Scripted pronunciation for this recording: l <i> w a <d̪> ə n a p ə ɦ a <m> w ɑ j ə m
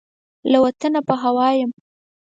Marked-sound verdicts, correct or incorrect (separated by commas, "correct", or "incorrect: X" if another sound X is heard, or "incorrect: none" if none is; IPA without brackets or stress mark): incorrect: a, incorrect: t̪, incorrect: none